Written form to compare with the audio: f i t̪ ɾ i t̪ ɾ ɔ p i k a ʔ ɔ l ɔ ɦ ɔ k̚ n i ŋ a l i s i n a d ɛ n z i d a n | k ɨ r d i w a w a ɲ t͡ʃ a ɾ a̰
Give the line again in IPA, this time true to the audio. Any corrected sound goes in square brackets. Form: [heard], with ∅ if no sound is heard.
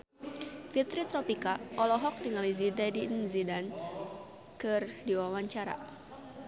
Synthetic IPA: f i t̪ ɾ i t̪ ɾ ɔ p i k a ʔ ɔ l ɔ ɦ ɔ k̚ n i ŋ a l i [z] i [d] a d [i] n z i d a n | k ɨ r d i w a w a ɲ t͡ʃ a ɾ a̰